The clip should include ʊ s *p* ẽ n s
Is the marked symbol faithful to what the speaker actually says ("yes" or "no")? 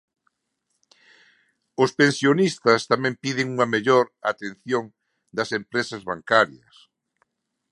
yes